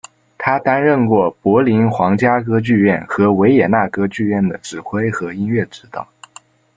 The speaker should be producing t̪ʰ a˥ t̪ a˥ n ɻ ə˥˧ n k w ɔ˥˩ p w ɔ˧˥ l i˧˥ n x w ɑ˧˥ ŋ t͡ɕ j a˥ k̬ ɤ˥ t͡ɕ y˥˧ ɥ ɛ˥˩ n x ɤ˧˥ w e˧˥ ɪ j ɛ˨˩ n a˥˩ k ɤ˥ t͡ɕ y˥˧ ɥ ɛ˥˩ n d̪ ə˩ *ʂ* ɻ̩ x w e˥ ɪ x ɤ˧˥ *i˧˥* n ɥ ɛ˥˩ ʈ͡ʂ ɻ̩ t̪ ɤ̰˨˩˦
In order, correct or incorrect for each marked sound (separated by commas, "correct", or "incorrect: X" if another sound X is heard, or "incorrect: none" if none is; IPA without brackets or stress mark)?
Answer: incorrect: ʈ͡ʂ, incorrect: i˥